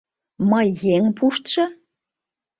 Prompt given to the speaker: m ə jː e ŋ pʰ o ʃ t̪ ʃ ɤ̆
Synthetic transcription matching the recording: m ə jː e ŋ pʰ u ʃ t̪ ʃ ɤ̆

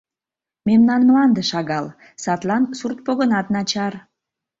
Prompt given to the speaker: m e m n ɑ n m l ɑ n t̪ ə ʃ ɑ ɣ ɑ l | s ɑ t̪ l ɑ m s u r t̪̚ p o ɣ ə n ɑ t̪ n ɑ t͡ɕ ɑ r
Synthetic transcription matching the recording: m e m n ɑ n m l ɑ n d̪ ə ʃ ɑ ɣ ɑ l | s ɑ t̪ l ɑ n s u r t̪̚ p o ɣ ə n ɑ t̪ n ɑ t͡ɕ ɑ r

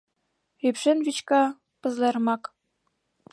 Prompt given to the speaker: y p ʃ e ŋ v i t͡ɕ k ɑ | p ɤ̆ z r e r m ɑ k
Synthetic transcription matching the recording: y p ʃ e n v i t͡ɕ k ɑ | p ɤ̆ z l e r m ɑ k

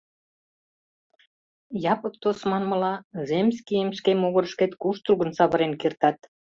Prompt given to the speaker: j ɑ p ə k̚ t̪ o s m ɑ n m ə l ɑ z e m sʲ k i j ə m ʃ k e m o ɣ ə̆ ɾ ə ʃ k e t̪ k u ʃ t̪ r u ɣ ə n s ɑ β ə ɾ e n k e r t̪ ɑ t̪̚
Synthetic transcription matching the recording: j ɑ p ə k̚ t̪ o s m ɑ n m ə l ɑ z e m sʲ k i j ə m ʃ k e m o ɣ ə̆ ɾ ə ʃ k e t̪ k u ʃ t̪ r u ɣ ə n s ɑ β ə ɾ e n k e r t̪ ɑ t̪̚

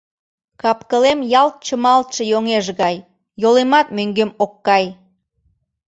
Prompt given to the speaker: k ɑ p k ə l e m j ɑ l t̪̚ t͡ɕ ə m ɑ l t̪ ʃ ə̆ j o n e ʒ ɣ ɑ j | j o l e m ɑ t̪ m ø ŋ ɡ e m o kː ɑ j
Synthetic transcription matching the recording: k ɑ p k ə l e m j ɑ l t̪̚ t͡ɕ ə m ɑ l t̪ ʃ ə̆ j o ŋ e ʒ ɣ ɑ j | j o l e m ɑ t̪ m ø ŋ ɡ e m o kː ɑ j

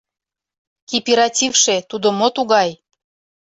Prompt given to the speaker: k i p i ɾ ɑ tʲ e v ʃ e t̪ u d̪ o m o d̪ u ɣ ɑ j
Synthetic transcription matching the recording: k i p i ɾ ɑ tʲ i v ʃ e t̪ u d̪ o m o t̪ u ɣ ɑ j

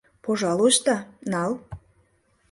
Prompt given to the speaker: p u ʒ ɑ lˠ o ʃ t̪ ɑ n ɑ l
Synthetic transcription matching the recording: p o ʒ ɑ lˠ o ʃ t̪ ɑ n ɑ l

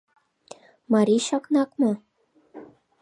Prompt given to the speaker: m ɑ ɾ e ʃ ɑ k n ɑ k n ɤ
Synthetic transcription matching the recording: m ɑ ɾ i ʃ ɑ k n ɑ k m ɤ

